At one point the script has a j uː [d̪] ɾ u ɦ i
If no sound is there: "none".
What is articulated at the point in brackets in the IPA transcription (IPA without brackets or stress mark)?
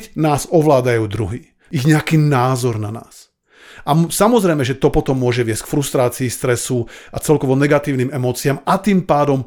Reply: d̪